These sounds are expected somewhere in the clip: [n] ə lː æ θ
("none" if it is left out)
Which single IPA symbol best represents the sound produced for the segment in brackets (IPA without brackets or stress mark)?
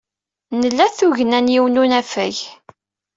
n